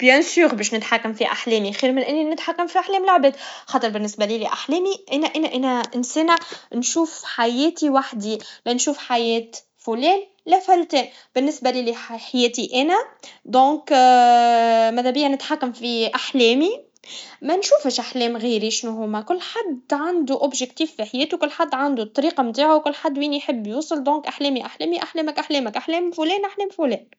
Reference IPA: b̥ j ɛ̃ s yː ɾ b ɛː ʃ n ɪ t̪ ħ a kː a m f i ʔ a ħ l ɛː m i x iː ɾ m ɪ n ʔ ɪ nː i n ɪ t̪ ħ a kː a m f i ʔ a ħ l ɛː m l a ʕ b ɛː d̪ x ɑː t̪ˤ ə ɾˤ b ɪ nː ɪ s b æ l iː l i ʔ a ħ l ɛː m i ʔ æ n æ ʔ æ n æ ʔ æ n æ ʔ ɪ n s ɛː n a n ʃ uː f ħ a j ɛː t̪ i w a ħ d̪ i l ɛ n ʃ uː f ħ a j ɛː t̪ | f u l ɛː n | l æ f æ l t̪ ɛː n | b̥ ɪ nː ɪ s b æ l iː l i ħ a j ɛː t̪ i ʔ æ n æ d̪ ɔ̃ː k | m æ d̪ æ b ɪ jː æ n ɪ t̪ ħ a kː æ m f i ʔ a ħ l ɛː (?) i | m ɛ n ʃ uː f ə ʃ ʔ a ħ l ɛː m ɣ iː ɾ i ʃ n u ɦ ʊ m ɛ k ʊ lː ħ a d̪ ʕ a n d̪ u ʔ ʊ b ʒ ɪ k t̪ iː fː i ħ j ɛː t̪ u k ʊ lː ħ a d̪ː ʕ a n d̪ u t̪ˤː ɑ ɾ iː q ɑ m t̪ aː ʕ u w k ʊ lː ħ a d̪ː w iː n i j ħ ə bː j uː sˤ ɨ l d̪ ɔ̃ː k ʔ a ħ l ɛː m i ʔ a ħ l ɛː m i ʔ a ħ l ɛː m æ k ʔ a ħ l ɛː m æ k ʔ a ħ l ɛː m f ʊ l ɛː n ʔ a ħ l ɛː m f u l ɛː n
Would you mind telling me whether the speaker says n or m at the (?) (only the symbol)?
m